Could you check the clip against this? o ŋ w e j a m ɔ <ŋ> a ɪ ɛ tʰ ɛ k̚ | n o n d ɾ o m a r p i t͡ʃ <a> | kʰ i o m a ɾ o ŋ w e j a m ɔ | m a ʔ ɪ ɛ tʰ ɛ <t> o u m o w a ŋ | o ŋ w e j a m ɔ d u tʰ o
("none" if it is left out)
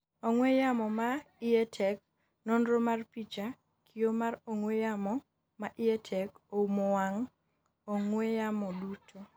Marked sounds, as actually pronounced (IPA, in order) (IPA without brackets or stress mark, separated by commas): m, a, k